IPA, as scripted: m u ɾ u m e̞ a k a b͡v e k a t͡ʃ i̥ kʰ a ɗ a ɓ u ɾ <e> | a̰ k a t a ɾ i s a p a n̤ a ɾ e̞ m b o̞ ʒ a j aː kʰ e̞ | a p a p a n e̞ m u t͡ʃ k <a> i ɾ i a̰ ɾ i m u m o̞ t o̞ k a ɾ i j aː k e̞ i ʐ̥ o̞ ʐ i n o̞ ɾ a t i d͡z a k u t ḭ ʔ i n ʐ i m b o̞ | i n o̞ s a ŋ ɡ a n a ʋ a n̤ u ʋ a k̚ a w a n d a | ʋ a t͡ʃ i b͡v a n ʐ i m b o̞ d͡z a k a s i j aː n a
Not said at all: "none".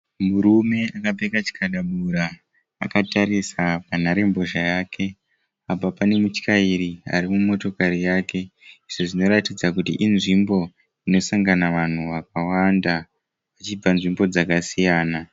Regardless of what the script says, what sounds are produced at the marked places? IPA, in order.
a, a

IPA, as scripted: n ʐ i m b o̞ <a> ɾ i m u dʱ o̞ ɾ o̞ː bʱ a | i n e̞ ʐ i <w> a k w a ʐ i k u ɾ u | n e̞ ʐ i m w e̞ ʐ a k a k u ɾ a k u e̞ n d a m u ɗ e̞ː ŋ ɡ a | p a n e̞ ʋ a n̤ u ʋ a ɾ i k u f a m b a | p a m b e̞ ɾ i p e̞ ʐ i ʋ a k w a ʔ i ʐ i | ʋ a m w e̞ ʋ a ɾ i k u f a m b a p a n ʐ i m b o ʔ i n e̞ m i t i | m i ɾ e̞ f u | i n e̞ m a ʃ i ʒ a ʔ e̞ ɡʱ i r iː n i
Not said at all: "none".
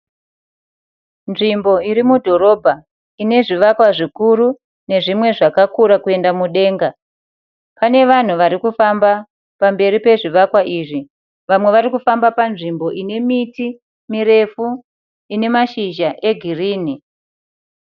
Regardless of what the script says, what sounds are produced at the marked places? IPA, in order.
i, ʋ

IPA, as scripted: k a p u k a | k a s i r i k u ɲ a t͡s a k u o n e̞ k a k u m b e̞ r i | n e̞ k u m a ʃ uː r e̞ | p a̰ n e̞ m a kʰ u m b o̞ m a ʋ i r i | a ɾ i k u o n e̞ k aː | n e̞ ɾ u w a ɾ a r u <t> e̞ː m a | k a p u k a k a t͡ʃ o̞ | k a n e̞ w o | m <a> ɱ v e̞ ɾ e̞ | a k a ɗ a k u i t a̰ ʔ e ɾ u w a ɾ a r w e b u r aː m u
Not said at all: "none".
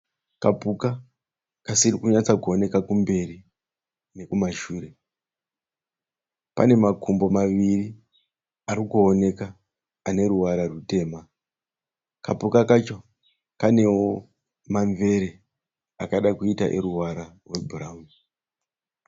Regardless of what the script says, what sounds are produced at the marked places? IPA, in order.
t, a

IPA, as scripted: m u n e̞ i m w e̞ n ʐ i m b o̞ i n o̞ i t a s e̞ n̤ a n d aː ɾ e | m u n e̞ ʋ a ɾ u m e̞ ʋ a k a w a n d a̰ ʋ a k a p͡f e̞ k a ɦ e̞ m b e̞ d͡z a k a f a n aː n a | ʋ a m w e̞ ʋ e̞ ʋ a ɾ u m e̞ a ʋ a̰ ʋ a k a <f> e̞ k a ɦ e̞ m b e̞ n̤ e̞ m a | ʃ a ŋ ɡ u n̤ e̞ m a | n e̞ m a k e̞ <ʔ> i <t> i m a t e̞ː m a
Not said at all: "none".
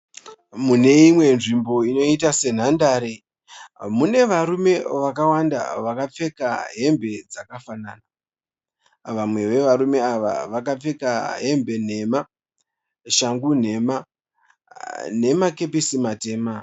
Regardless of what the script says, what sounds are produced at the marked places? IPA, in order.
p͡f, p, s

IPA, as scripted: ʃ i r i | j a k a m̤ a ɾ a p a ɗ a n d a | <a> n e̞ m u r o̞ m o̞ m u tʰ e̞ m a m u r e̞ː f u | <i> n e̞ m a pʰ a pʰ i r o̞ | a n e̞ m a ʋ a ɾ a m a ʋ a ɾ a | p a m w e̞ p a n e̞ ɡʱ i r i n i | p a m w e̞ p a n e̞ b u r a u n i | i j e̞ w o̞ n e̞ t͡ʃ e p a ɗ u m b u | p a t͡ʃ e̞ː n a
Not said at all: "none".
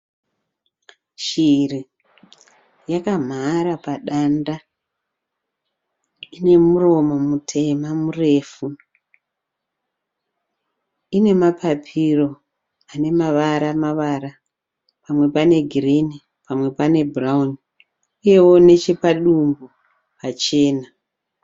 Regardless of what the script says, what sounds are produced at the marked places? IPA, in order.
i, i

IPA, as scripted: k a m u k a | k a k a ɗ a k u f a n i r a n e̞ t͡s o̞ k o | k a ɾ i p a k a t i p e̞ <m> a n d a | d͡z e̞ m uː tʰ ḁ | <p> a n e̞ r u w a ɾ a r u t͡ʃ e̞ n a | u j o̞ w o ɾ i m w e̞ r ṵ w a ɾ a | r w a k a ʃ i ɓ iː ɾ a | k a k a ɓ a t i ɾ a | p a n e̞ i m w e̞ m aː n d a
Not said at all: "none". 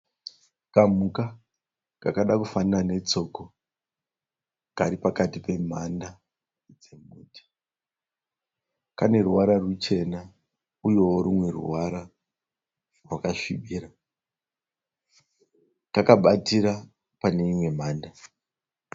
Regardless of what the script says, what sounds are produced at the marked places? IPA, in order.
m, k

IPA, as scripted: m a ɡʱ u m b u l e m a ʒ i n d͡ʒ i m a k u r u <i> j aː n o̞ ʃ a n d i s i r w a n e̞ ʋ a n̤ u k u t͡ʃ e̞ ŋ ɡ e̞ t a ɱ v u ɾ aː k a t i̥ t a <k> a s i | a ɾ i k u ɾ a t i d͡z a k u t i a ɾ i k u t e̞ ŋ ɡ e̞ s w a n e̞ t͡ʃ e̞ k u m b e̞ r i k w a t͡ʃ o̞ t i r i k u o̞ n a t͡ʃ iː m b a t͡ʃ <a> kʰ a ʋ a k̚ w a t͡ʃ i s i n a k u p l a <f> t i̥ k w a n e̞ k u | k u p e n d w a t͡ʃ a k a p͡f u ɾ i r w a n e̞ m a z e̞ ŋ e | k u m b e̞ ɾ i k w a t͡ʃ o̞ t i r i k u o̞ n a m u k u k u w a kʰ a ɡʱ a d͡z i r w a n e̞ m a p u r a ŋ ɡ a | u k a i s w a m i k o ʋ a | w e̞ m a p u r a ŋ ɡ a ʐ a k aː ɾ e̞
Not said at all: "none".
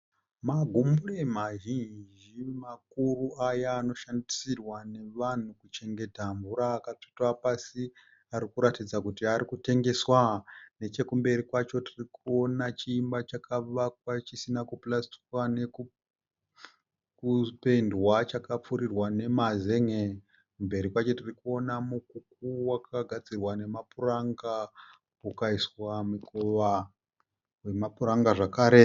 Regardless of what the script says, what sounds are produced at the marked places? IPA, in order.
a, p, a, s

